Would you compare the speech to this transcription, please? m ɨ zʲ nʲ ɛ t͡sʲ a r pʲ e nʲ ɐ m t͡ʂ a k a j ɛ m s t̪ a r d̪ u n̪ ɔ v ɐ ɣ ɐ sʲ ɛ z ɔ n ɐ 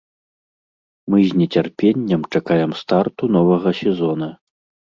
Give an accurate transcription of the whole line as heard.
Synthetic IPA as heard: m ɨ zʲ nʲ ɛ t͡sʲ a r pʲ e nʲː ɐ m t͡ʂ a k a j ɛ m s t̪ a r t̪ u n̪ ɔ v ɐ ɣ ɐ sʲ ɛ z ɔ n ɐ